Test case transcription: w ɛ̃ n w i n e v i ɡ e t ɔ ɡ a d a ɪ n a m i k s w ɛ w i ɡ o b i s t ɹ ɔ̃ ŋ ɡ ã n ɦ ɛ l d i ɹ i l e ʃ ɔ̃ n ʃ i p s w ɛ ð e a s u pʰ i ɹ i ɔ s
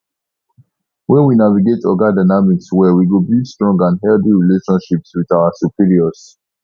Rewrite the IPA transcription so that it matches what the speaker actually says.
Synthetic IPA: w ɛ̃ n w i n a v i ɡ e t ɔ ɡ a d a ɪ n a m i k s w ɛ w i ɡ o b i s t ɹ ɔ̃ ŋ ɡ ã n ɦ ɛ l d i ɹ i l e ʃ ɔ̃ n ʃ i p s w i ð a a s u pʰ i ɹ i ɔ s